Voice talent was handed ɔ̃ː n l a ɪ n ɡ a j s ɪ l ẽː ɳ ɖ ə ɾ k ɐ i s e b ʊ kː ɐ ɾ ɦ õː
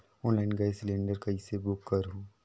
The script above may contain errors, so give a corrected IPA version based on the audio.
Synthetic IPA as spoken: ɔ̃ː n l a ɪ n ɡ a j s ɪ l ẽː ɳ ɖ ə ɾ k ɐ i s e b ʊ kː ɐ ɾ ɦ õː